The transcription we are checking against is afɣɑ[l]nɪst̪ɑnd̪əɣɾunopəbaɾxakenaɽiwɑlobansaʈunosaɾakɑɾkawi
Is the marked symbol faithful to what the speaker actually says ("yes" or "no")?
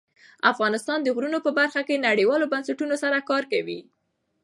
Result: no